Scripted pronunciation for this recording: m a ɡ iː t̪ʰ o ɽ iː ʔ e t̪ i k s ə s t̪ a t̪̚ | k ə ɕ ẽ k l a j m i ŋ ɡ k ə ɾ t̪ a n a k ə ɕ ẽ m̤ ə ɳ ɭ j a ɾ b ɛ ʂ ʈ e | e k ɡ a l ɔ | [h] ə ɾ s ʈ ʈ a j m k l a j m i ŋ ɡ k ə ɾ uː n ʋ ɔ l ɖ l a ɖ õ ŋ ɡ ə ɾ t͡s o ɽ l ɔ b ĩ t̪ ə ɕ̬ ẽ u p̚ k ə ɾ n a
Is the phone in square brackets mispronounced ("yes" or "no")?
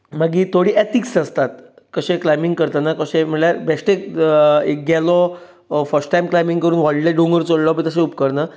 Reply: yes